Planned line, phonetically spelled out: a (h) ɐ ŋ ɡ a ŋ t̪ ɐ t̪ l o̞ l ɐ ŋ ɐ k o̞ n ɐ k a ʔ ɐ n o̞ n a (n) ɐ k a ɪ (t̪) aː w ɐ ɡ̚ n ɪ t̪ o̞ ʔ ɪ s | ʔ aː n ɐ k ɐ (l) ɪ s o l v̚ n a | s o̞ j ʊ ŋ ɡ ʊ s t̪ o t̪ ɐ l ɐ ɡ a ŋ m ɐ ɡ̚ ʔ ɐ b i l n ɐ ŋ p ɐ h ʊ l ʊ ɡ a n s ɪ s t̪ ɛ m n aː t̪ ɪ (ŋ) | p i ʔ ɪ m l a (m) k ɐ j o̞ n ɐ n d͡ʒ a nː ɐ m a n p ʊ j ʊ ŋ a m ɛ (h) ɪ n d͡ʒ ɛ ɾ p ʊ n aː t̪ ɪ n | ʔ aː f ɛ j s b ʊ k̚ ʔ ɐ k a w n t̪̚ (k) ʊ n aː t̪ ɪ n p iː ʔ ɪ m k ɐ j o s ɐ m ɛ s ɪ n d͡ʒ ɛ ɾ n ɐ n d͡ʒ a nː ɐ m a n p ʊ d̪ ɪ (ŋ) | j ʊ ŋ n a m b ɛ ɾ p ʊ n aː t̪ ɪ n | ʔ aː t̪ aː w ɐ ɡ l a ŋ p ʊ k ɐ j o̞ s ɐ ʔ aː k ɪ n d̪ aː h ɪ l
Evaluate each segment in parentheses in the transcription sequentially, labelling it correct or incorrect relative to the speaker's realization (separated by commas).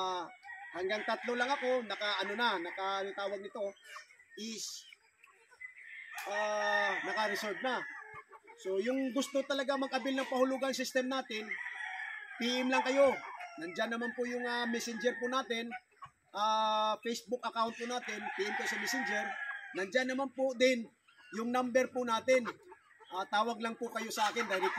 correct, correct, correct, incorrect, incorrect, incorrect, incorrect, incorrect, incorrect